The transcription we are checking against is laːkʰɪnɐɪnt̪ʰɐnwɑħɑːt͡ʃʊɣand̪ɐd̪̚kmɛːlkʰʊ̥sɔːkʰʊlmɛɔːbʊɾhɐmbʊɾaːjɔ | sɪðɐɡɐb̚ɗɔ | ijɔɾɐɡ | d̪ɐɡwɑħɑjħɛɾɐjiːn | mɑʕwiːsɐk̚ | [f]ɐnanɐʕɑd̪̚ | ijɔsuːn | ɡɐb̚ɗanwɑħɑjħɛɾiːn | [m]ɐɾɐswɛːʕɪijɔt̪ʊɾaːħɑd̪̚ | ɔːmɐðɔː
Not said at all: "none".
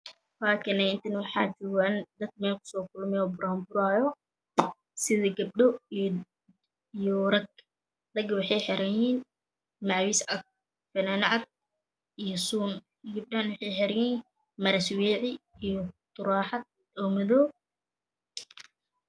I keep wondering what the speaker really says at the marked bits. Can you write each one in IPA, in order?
f, m

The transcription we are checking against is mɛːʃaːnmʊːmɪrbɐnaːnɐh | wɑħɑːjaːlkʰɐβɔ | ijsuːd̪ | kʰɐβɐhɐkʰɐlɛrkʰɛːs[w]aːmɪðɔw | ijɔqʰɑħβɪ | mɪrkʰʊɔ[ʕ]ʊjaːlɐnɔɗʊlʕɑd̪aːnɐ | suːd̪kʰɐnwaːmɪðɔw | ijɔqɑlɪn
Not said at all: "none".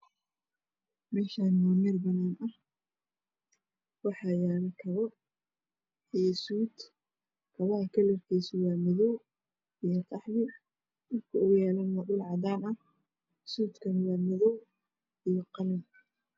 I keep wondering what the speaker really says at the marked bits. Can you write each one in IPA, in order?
w, ɣ

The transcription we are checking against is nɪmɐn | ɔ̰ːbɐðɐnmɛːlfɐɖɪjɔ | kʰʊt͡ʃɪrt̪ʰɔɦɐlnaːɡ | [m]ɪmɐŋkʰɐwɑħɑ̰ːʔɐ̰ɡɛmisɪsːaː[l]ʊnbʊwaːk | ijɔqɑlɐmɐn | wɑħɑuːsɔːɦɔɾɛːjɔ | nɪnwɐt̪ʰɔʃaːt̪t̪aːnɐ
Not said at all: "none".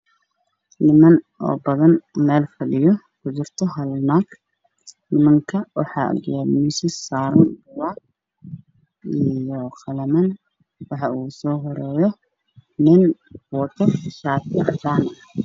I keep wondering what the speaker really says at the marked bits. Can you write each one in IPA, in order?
n, ɾ

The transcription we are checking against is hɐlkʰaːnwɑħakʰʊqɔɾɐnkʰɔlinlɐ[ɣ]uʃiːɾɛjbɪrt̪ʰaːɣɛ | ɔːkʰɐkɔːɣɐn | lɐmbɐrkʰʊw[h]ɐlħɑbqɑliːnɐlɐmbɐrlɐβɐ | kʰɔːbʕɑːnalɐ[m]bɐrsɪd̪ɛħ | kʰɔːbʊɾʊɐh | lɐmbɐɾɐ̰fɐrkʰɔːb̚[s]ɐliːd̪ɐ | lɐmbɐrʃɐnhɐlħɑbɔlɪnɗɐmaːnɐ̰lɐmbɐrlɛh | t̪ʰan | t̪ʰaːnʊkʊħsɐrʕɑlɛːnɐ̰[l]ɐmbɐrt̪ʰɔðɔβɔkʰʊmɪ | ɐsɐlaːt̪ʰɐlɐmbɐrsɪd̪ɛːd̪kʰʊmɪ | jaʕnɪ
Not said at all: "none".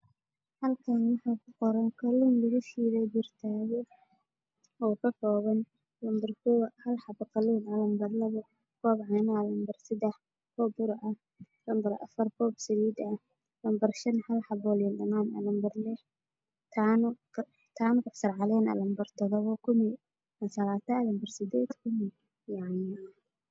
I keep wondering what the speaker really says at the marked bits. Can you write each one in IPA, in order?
ɣ, h, m, s, l

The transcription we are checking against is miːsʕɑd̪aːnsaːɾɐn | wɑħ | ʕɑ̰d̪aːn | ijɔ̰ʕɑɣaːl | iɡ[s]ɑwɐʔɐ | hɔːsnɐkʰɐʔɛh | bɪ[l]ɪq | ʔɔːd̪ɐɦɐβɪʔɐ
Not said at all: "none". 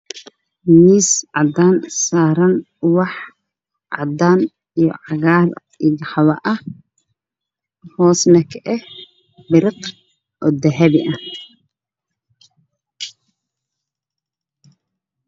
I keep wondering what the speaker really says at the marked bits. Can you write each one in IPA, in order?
ħ, ɾ

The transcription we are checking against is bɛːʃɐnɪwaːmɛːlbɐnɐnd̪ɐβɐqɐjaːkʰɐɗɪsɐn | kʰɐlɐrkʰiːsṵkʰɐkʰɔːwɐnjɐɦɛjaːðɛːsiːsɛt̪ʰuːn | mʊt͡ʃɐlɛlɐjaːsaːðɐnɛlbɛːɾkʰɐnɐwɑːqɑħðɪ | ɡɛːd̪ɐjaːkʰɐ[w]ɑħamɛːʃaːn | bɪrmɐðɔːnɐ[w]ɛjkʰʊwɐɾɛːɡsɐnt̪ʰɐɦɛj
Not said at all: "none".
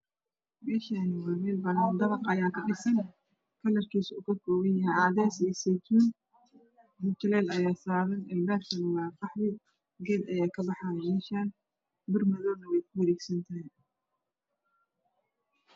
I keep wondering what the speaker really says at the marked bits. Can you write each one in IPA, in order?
b, w

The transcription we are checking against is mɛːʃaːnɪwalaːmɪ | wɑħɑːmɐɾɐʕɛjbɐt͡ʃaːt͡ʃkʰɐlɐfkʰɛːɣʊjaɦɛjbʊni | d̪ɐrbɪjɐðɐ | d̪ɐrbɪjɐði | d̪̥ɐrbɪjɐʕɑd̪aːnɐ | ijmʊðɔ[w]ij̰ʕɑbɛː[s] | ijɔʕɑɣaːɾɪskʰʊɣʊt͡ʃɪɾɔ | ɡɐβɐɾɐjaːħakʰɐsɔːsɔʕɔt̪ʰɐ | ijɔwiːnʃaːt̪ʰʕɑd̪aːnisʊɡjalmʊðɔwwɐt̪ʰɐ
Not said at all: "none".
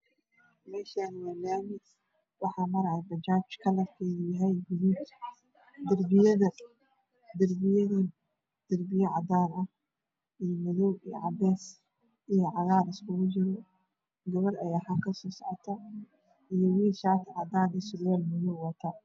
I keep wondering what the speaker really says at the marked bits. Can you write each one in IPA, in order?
w, s

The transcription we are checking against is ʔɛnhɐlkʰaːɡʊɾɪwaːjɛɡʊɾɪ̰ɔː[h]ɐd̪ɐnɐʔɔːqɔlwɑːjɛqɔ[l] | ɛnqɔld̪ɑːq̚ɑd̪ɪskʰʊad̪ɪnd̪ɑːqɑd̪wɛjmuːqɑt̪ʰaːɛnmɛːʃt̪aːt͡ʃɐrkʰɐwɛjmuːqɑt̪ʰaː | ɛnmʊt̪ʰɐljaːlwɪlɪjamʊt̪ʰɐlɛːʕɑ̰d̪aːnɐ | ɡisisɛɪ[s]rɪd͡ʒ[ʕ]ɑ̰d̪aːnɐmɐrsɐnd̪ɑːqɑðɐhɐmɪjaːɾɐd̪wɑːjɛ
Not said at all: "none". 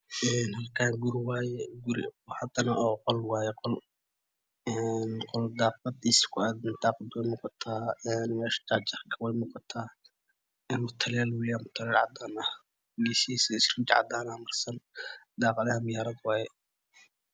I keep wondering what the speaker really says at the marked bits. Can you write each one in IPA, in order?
h, l, s, ʕ

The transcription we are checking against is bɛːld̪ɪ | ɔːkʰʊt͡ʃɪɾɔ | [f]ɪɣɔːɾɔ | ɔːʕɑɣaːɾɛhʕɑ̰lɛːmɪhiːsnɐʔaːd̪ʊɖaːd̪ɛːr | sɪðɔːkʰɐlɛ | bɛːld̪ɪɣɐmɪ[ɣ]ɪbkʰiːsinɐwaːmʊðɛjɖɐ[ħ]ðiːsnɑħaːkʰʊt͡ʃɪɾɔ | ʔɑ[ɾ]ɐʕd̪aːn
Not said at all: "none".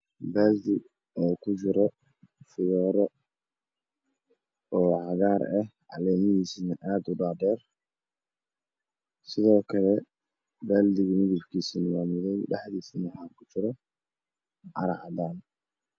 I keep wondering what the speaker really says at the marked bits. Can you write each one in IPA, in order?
f, ð, ħ, ɾ

